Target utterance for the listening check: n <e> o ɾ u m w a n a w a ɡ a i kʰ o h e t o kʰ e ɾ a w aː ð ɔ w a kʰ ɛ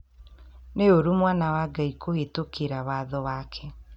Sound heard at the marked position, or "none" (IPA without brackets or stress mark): e